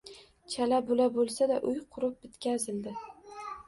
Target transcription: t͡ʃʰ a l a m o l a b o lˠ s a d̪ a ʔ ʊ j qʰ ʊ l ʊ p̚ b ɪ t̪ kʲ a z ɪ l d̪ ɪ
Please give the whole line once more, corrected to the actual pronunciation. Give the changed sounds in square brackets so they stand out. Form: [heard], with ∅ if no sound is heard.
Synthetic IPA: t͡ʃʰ a l a [b] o l a b o lˠ s a d̪ a ʔ ʊ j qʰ ʊ [ɾ] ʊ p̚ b ɪ t̪ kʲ a z ɪ l d̪ ɪ